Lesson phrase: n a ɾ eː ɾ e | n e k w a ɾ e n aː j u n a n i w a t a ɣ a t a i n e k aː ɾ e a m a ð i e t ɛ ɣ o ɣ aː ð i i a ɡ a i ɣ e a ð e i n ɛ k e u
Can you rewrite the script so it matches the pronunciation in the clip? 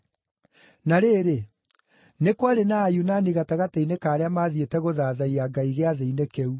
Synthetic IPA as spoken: n a ɾ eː ɾ e | n e k w a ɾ e n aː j u n a n i ɣ a t a ɣ a t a i n e k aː ɾ e a m a ð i e t ɛ ɣ o ð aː ð a i a ɡ a i ɣ e a ð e i n e k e u